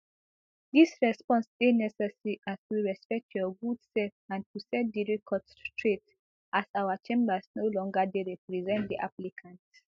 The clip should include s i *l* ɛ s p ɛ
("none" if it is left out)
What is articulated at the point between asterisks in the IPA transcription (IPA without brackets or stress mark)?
ɹ